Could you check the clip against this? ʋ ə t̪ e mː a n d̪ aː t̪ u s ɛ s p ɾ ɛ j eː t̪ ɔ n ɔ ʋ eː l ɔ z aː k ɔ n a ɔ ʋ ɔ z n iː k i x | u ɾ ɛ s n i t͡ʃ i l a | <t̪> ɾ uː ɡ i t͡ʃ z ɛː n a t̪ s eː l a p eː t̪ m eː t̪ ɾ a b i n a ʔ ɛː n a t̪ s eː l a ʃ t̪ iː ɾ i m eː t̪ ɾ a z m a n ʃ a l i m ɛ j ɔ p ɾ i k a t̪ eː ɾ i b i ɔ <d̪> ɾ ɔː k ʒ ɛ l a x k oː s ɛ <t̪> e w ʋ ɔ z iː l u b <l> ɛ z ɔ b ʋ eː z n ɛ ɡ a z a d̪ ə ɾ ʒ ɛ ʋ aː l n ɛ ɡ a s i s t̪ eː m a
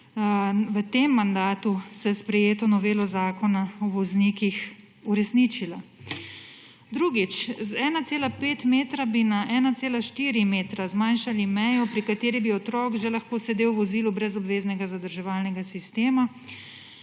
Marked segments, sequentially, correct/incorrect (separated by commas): incorrect, incorrect, incorrect, incorrect